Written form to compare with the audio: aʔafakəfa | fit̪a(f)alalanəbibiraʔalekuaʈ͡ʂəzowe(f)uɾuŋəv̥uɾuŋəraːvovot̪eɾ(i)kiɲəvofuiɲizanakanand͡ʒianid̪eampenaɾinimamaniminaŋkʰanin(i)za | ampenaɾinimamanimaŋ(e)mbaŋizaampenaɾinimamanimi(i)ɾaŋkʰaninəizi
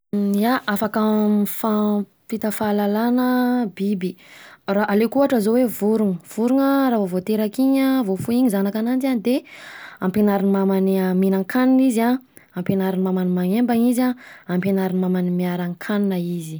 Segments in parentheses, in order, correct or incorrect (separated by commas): correct, incorrect, incorrect, correct, correct, incorrect